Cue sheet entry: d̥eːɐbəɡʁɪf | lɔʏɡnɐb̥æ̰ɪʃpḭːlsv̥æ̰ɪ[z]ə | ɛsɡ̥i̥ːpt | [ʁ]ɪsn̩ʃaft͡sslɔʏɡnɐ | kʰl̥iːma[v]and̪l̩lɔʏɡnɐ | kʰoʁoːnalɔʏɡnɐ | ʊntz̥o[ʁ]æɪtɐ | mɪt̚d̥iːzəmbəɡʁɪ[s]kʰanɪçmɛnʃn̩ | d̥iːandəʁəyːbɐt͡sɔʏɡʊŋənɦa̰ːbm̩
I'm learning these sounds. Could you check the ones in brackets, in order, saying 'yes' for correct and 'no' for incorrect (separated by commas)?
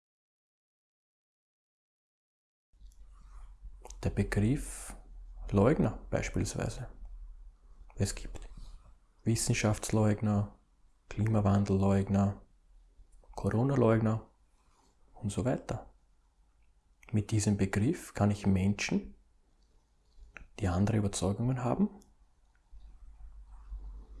yes, no, yes, no, no